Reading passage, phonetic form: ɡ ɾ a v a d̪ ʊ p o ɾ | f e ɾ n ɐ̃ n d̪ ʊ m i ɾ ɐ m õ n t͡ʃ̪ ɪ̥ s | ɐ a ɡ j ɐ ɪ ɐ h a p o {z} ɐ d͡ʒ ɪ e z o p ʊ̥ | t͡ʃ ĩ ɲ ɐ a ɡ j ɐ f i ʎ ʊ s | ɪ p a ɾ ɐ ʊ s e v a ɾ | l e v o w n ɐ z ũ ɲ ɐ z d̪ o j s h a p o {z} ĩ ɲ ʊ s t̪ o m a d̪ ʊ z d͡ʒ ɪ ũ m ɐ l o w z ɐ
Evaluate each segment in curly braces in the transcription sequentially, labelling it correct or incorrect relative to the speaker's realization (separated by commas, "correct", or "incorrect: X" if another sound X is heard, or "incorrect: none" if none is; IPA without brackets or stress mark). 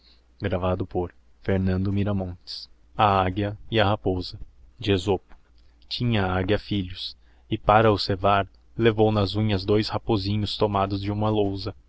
correct, correct